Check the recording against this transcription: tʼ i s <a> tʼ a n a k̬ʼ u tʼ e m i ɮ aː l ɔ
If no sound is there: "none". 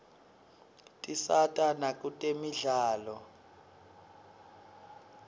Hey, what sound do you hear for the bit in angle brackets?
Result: a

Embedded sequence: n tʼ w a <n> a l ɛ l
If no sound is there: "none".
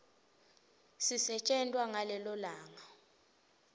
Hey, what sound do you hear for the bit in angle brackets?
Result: ŋ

